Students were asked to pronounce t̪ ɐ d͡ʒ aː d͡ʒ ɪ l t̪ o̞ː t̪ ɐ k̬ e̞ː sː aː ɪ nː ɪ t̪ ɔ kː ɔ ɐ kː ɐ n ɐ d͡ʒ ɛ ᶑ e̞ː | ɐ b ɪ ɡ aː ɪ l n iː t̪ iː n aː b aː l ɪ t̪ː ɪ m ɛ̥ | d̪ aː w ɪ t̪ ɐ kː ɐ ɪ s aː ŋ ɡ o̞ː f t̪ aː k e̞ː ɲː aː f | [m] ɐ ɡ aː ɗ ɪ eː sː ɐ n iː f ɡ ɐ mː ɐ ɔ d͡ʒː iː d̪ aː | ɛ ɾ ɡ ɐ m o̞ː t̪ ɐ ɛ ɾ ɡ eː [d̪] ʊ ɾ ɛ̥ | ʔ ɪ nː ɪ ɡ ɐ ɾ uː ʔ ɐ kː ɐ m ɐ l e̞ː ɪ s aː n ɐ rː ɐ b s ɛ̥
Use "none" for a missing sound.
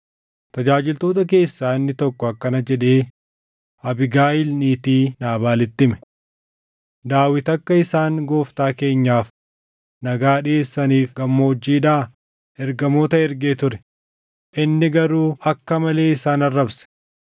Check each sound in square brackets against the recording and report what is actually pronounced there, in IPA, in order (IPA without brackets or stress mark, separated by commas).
n, t̪